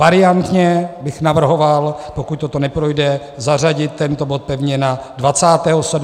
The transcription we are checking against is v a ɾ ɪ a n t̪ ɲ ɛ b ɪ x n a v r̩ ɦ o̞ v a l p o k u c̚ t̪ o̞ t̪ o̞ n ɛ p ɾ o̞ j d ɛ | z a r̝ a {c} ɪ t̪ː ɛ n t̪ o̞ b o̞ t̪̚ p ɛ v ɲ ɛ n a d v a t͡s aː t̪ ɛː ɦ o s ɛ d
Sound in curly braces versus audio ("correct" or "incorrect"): incorrect